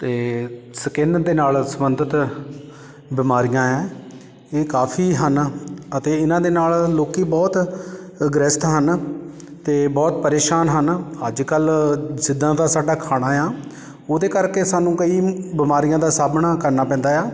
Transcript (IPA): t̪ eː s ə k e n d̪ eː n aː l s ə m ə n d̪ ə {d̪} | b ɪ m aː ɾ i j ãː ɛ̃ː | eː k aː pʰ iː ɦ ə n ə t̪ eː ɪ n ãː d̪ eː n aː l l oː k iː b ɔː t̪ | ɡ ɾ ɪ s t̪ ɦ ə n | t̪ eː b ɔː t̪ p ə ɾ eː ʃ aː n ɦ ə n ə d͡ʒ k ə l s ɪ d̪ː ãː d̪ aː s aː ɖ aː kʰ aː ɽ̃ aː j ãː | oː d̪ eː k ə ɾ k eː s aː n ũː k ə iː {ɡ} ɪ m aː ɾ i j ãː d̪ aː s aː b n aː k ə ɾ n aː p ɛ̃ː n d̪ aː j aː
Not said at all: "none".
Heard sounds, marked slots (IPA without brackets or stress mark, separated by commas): t̪, b